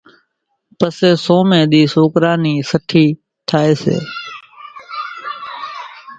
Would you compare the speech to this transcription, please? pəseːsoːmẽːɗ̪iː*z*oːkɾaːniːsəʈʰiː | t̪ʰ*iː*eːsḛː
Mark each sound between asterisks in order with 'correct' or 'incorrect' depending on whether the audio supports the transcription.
incorrect: s, incorrect: aː

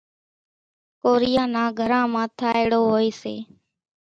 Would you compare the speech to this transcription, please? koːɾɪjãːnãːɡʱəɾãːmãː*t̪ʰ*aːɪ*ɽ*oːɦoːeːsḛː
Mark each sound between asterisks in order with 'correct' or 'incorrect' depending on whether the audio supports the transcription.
correct, correct

